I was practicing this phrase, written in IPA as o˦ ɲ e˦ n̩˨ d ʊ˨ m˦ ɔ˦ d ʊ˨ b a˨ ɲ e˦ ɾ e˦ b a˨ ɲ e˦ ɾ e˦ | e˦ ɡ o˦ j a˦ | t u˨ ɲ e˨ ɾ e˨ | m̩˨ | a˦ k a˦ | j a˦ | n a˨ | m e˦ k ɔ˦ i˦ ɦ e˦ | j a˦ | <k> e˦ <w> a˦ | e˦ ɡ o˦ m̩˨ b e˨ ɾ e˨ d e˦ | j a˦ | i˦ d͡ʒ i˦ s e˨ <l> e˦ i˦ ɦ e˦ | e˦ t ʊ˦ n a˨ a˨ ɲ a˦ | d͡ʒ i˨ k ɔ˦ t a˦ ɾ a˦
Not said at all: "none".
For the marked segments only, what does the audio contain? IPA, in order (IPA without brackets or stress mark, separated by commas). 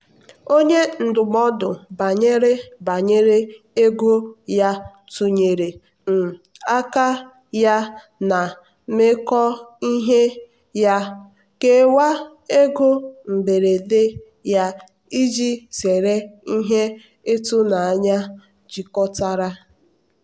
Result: k, w, ɾ